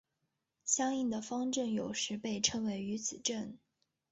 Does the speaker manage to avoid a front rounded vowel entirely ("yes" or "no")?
no